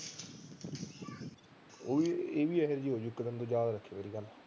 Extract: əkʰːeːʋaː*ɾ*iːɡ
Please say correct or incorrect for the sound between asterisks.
correct